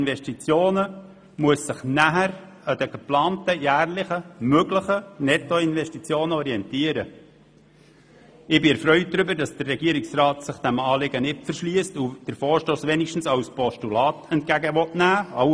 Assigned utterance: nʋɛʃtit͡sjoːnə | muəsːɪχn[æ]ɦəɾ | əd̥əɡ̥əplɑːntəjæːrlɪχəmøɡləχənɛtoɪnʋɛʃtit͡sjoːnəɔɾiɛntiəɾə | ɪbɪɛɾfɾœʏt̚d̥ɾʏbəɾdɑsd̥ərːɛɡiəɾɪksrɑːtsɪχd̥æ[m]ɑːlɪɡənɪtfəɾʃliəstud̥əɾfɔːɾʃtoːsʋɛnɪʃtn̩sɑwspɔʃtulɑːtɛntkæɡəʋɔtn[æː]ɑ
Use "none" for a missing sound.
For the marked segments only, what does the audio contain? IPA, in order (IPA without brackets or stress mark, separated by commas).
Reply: æ, m, æː